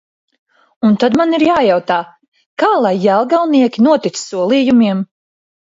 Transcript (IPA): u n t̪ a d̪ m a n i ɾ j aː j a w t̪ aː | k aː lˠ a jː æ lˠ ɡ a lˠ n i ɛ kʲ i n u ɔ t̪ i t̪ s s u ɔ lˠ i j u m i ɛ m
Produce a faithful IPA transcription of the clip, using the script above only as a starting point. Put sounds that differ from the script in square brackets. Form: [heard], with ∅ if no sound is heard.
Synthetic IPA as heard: u n t̪ a d̪ m a n i ɾ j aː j a w t̪ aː | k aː lˠ a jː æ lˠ ɡ a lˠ n i ɛ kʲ i n u ɔ t̪ i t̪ s s u ɔ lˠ i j u m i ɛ m